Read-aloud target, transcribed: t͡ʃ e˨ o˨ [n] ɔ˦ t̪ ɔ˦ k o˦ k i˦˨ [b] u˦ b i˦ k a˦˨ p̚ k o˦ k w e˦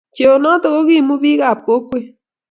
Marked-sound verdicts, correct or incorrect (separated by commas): correct, incorrect